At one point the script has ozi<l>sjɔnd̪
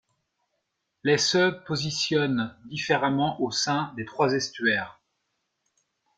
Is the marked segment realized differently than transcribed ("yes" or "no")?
yes